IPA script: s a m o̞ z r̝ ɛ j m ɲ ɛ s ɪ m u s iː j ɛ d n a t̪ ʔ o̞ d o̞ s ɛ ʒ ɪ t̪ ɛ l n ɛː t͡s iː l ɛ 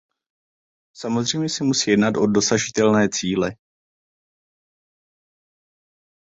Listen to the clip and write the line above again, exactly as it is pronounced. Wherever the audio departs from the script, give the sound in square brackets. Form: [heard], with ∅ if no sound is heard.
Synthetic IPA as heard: s a m o̞ z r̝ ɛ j m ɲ ɛ s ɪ m u s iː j ɛ d n a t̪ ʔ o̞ d o̞ s [a] ʒ ɪ t̪ ɛ l n ɛː t͡s iː l ɛ